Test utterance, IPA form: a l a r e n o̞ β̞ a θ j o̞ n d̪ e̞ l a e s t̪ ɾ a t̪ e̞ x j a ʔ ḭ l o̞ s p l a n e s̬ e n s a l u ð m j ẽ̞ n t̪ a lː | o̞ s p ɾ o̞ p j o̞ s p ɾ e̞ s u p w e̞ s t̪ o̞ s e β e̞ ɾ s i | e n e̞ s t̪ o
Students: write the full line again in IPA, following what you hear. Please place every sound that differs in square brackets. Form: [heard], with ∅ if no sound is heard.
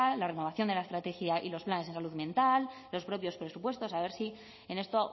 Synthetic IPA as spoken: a l a r e n o̞ β̞ a θ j o̞ n d̪ e̞ l a e s t̪ ɾ a t̪ e̞ x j a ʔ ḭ l o̞ s p l a n e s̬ e n s a l u ð m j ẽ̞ n t̪ a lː | o̞ s p ɾ o̞ p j o̞ s p ɾ e̞ s u p w e̞ s t̪ o̞ s [a] β e̞ ɾ s i | e n e̞ s t̪ o